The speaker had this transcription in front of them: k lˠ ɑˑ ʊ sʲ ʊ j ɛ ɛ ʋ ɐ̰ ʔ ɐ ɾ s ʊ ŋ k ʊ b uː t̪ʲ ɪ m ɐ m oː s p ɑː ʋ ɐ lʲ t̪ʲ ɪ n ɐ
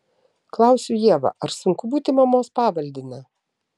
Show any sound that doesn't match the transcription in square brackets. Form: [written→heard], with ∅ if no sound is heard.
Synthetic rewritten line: k lˠ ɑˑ ʊ sʲ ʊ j [ɛ→i] ɛ ʋ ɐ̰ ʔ ɐ ɾ s ʊ ŋ k ʊ b uː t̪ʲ ɪ m ɐ m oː s p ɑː ʋ ɐ lʲ [t̪ʲ→d̪ʲ] ɪ n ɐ